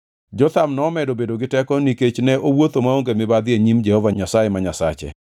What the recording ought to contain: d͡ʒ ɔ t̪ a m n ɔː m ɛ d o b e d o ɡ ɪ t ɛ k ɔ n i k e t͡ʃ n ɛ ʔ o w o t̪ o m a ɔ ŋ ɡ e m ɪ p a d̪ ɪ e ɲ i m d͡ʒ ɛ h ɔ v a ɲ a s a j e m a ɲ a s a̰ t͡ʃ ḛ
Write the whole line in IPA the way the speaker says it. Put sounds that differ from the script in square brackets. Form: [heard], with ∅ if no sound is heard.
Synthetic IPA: d͡ʒ ɔ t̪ a m n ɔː m ɛ d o b e d o ɡ ɪ t ɛ k ɔ n i k e t͡ʃ n ɛ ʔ o w o t̪ o m a [o] ŋ ɡ e m ɪ [b] a d̪ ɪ e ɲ i m d͡ʒ ɛ h ɔ v a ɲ a s a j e m a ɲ a s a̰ t͡ʃ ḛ